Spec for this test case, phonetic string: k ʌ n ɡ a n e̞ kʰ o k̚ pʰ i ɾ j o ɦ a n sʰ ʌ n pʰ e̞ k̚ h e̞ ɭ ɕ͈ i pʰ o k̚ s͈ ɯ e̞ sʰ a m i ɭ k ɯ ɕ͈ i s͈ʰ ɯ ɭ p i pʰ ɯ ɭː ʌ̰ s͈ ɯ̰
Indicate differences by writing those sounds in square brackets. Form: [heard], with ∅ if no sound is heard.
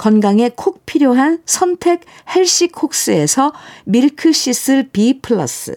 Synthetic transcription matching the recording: k ʌ n ɡ a [ŋ] e̞ kʰ o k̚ pʰ i ɾ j o ɦ a n sʰ ʌ n [tʰ] e̞ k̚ h e̞ ɭ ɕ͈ i [kʰ] o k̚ s͈ ɯ e̞ sʰ [ʌ] m i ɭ [kʰ] ɯ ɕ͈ i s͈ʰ ɯ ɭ p i pʰ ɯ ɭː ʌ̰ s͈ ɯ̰